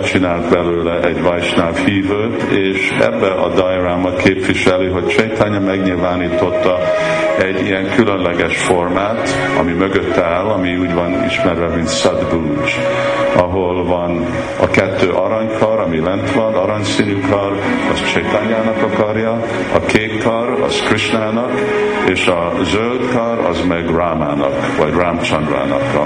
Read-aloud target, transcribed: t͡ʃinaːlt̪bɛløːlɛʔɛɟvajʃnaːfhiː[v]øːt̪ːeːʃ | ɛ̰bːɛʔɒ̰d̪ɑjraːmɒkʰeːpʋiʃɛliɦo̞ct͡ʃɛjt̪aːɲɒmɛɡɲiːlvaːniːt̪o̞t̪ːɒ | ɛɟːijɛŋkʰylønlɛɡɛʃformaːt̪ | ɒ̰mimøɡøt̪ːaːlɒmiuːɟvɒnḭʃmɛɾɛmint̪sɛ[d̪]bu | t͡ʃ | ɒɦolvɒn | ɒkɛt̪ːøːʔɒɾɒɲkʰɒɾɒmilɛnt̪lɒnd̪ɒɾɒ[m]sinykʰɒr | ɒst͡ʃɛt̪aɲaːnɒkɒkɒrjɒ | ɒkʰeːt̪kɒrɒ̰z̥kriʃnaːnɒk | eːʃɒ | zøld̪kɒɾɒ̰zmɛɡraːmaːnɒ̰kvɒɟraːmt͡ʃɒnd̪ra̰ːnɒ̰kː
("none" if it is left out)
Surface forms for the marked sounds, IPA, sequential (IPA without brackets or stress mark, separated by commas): v, d̪, ɲ